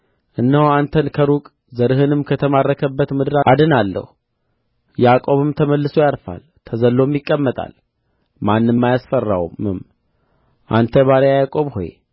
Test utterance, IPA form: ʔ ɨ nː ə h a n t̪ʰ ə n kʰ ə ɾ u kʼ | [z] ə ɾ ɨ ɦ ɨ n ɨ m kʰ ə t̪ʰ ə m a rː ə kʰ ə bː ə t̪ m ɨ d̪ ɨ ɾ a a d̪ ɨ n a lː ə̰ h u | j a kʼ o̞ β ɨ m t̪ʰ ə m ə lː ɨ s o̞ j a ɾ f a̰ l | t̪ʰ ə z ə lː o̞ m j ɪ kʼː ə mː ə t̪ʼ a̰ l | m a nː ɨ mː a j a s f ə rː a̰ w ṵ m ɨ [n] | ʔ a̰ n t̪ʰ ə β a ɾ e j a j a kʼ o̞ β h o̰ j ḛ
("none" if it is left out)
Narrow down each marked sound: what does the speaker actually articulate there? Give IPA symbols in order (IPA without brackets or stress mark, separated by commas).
z, m